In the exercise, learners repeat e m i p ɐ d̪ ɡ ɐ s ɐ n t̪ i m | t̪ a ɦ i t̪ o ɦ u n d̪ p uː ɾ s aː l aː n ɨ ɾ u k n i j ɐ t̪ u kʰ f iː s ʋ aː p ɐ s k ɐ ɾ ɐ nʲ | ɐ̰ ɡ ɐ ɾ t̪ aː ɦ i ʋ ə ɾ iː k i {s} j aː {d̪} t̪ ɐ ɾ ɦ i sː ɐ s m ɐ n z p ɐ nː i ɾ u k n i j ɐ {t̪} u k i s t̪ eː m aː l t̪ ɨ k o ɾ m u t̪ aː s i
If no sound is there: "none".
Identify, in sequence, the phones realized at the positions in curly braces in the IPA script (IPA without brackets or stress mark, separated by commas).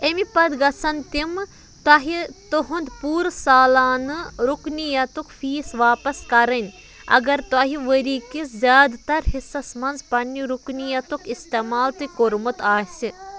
z, d̪, t̪